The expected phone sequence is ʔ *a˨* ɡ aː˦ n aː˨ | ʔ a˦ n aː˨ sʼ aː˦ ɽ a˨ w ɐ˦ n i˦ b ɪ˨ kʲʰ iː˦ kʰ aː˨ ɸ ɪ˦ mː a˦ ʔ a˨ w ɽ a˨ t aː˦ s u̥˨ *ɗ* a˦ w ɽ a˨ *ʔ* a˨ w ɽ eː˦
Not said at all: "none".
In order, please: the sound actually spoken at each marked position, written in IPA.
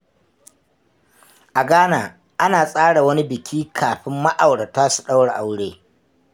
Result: a˨, ɗ, ʔ

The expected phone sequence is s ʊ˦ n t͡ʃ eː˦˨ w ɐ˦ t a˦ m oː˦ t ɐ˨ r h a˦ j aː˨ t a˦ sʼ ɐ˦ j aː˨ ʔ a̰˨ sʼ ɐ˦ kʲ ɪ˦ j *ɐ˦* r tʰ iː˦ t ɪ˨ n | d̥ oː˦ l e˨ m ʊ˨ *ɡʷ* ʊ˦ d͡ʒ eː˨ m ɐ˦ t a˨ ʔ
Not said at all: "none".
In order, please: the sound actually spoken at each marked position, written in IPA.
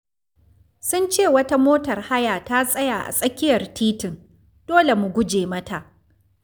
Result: ɐ˨, ɡʷ

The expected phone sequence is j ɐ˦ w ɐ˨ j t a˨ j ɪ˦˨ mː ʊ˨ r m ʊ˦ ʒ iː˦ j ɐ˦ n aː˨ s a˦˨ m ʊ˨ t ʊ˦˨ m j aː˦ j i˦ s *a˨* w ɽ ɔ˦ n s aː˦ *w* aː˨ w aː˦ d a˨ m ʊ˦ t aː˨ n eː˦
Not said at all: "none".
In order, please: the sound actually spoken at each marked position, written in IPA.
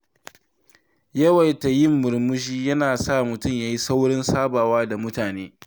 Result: a˦, b

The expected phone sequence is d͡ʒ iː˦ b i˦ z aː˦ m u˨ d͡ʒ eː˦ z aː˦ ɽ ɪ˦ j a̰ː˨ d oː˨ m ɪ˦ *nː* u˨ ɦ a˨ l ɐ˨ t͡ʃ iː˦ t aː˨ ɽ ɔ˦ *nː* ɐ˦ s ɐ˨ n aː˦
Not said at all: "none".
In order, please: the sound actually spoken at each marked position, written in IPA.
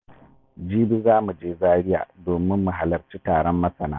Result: mː, mː

